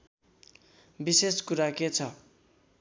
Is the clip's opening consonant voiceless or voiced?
voiced